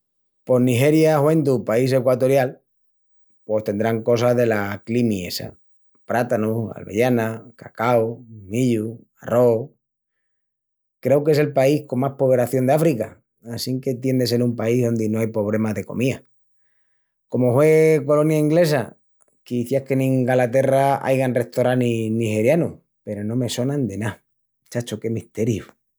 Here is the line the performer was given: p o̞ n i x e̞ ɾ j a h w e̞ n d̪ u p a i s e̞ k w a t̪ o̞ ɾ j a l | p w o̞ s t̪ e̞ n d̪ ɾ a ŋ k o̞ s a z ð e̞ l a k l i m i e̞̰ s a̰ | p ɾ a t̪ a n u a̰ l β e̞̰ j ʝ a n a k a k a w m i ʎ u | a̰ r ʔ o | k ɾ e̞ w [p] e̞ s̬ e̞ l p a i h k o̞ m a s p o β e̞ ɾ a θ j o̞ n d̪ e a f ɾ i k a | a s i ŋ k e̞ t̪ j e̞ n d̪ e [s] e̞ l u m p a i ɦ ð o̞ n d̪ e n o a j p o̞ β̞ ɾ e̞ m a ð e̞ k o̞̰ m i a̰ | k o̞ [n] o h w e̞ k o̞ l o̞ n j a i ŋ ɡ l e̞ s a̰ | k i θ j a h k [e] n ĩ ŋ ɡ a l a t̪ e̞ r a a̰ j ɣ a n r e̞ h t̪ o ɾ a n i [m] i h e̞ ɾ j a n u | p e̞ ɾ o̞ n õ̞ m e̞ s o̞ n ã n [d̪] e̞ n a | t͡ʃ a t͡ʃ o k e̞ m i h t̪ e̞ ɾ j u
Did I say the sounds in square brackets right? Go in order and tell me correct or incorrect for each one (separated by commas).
incorrect, correct, incorrect, correct, incorrect, correct